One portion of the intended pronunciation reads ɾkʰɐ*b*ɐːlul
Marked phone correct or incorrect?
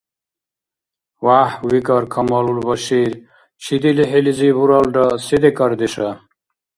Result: incorrect